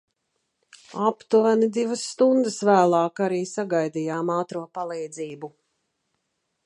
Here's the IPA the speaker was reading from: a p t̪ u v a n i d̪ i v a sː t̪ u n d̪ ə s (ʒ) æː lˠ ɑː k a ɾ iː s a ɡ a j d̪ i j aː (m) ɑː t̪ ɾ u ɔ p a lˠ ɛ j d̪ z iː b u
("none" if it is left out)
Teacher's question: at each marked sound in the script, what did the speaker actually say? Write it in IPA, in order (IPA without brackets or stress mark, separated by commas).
v, m